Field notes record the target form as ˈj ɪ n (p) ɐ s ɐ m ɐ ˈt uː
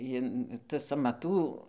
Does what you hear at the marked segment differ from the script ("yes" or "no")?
yes